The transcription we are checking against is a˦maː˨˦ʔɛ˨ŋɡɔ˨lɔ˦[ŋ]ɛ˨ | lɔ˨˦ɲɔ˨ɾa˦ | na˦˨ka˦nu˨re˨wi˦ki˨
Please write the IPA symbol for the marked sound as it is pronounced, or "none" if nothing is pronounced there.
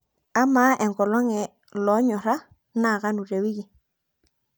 ŋ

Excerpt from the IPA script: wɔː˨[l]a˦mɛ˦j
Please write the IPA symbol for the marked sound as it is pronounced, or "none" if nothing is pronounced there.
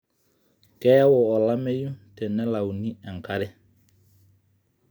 l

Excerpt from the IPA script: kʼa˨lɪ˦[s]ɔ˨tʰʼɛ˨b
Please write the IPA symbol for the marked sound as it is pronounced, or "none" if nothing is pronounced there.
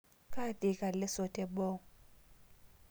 s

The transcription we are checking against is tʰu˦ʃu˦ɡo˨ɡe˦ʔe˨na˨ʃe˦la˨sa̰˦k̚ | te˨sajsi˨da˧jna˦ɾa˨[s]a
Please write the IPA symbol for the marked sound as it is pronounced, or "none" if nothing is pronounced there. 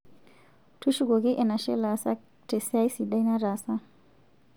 s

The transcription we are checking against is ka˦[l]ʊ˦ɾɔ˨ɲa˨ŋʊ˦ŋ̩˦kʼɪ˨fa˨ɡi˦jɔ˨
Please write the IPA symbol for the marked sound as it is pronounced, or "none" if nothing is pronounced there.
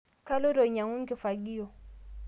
l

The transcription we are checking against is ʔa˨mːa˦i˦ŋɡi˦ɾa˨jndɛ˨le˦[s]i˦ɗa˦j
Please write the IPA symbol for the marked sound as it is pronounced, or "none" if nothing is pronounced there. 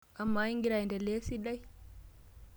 s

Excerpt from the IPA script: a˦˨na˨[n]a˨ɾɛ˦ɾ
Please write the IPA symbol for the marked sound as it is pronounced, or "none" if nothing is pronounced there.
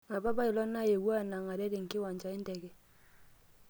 ŋ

